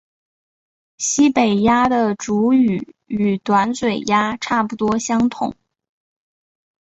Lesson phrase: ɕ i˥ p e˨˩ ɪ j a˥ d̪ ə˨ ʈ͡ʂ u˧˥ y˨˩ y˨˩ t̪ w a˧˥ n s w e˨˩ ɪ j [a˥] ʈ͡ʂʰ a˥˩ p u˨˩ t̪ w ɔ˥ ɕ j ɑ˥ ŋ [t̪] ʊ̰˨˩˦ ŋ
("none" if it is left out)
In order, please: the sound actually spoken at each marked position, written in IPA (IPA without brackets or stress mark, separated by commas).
a˥, t̪ʰ